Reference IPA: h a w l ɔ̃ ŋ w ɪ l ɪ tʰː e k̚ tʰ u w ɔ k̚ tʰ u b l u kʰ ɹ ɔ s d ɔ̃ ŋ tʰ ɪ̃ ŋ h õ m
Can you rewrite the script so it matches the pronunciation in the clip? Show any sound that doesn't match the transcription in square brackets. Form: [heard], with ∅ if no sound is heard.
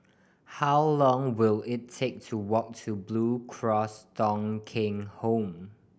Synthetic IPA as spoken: h a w l ɔ̃ ŋ w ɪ l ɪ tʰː e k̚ tʰ u w ɔ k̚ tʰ u b l u kʰ ɹ ɔ s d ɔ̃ ŋ [kʰ] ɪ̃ ŋ h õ m